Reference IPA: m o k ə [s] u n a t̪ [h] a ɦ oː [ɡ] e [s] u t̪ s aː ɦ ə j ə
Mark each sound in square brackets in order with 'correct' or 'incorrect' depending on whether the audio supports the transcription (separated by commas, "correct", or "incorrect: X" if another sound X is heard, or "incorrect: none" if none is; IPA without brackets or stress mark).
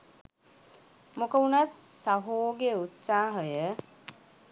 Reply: incorrect: none, incorrect: s, correct, incorrect: none